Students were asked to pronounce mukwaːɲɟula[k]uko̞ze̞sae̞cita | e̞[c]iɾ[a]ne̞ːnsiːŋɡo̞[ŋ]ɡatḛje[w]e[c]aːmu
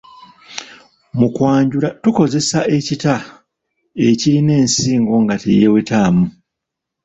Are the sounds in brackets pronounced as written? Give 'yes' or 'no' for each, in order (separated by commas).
no, yes, no, yes, yes, no